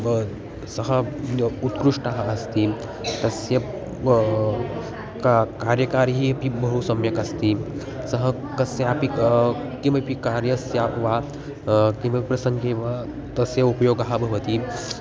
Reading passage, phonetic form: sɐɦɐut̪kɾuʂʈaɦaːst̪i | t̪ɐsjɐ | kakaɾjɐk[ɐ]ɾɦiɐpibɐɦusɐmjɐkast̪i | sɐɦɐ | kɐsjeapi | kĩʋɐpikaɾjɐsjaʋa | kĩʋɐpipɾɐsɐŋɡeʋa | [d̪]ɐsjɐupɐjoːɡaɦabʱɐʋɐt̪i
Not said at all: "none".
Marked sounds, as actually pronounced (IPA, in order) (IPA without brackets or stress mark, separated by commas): a, t̪